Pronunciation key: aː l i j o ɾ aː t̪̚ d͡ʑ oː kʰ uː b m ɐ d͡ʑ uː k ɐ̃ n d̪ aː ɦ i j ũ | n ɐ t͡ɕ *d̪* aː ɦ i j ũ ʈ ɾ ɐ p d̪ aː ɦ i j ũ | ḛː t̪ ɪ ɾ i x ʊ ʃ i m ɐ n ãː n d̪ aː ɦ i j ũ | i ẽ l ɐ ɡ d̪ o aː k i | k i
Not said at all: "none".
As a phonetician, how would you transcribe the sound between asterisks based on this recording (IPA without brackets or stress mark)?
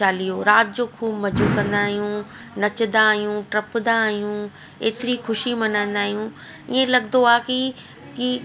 d̪